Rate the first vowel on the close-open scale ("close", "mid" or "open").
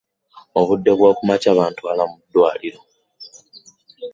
mid